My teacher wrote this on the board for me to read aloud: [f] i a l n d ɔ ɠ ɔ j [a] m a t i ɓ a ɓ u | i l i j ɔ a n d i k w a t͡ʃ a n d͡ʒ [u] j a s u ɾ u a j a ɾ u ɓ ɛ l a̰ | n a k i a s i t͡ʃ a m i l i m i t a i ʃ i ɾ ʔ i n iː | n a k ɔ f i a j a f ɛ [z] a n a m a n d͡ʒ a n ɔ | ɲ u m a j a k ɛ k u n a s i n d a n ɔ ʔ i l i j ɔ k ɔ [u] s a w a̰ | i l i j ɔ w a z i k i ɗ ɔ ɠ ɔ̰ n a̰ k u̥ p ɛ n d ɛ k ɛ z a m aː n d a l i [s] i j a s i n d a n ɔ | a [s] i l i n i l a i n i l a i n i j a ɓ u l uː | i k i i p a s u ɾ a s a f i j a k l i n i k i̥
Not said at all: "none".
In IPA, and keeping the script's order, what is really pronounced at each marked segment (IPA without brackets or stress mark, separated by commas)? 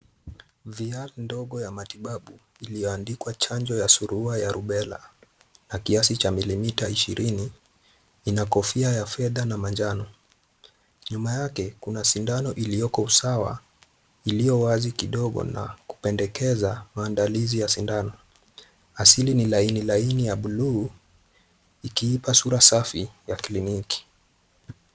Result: v, a, ɔ, ð, u, z, s